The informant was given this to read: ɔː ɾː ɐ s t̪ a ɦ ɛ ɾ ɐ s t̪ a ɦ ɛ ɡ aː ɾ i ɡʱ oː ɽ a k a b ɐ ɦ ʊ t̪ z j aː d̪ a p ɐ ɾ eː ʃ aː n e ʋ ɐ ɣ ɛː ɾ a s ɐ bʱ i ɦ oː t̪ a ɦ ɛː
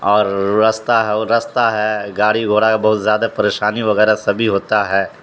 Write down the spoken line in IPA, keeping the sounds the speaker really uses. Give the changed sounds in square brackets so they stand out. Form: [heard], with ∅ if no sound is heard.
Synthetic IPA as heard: ɔː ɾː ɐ s t̪ a ɦ ɛ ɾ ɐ s t̪ a ɦ ɛ ɡ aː [ɽ] i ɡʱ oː ɽ a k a b ɐ ɦ ʊ t̪ z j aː d̪ a p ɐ ɾ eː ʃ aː n [i] ʋ ɐ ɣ ɛː ɾ a s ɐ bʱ i ɦ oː t̪ a ɦ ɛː

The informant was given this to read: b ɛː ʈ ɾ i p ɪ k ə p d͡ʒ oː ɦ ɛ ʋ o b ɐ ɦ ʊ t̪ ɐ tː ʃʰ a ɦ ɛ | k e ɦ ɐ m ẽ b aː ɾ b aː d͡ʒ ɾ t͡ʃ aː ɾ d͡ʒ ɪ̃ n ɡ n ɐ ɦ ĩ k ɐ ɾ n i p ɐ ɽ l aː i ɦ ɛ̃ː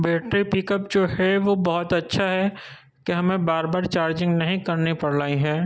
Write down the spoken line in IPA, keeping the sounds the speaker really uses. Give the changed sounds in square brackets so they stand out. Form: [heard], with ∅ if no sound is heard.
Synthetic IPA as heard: b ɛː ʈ ɾ i p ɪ k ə p d͡ʒ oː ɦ ɛ ʋ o b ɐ ɦ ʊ t̪ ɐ tː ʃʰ a ɦ ɛ | k e ɦ ɐ m ẽ b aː ɾ b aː [∅] ɾ t͡ʃ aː ɾ d͡ʒ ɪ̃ [ŋ] ɡ n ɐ ɦ ĩ k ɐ ɾ n i p ɐ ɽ l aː i ɦ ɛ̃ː

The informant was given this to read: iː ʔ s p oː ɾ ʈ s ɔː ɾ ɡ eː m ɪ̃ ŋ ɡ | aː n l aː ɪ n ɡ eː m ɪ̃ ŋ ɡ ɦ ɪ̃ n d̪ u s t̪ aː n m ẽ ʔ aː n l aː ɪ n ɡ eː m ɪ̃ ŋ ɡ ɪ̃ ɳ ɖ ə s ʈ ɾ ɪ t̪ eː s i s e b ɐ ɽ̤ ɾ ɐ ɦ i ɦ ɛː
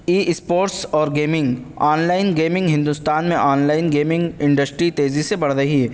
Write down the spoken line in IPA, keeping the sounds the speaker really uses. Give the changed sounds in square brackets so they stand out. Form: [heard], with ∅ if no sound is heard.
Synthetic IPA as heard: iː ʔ s p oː ɾ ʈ s ɔː ɾ ɡ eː m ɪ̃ ŋ ɡ | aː n l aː ɪ n ɡ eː m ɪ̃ ŋ ɡ ɦ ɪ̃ n d̪ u s t̪ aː n m ẽ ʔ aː n l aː ɪ n ɡ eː m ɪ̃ ŋ ɡ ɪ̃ ɳ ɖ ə s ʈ ɾ [i] t̪ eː [z] i s e b ɐ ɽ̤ ɾ ɐ ɦ i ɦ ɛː

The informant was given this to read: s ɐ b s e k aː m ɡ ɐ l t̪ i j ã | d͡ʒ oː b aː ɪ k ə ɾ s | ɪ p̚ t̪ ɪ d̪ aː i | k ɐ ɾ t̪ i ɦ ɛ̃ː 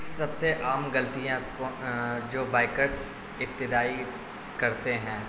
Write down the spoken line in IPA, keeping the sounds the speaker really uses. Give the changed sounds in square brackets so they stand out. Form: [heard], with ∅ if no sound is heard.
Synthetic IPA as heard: s ɐ b s e [ʔ] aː m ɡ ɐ l t̪ i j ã | d͡ʒ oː b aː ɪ k ə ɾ s | ɪ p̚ t̪ ɪ d̪ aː i | k ɐ ɾ t̪ [e] ɦ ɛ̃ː

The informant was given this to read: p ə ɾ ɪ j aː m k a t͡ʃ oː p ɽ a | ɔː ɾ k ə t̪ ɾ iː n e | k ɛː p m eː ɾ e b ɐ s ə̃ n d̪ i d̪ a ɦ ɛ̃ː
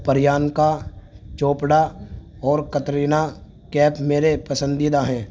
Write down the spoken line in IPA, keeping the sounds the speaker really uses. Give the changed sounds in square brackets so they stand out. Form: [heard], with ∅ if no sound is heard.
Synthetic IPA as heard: p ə ɾ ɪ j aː [n] k a t͡ʃ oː p ɽ a | ɔː ɾ k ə t̪ ɾ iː n [a] | k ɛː p m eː ɾ e [p] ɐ s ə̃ n d̪ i d̪ a ɦ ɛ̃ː

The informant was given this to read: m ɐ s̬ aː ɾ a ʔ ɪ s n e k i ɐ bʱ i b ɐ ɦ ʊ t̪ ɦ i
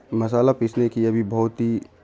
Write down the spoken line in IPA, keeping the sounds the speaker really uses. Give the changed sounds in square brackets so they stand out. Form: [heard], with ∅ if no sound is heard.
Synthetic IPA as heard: m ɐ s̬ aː [l] a [p] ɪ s n e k i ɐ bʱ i b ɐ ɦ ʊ t̪ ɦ i

